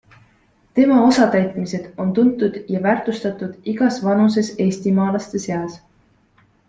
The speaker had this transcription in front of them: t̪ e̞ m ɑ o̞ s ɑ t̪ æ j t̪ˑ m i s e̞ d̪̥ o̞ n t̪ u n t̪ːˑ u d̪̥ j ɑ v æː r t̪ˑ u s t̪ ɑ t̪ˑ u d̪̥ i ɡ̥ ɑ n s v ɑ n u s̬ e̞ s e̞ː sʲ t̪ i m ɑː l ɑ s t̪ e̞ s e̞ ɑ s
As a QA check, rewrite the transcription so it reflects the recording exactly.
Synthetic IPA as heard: t̪ e̞ m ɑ o̞ s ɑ t̪ æ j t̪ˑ m i s e̞ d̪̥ o̞ n t̪ u n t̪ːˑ u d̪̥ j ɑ v æː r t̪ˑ u s t̪ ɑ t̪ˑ u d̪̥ i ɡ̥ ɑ s v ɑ n u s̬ e̞ s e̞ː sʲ t̪ i m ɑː l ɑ s t̪ e̞ s e̞ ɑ s